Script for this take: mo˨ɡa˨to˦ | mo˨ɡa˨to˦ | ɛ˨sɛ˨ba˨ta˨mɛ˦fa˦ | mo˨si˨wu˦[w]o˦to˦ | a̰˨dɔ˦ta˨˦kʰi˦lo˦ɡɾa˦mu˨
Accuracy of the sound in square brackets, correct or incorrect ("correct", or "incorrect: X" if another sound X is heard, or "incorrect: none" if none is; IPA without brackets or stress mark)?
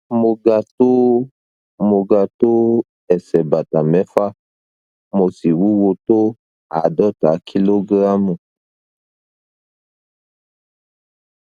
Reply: correct